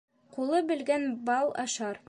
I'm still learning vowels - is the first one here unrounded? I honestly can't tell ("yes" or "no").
no